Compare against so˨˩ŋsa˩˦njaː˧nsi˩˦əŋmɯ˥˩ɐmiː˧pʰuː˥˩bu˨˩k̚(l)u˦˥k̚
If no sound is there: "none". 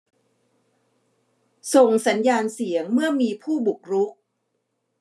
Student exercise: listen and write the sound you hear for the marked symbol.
ɾ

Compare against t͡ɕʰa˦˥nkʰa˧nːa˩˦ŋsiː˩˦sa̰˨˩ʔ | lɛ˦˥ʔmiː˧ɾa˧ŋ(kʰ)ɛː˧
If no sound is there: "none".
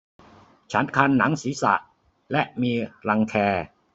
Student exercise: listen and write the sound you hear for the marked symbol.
kʰ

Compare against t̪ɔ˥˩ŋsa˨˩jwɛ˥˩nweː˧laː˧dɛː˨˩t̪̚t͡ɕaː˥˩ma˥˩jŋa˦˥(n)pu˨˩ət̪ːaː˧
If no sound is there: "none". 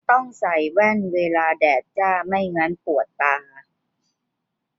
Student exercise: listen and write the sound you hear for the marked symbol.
n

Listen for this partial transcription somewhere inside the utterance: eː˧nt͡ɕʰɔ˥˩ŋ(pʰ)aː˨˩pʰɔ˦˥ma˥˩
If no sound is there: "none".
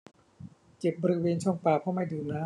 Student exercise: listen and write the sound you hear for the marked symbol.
p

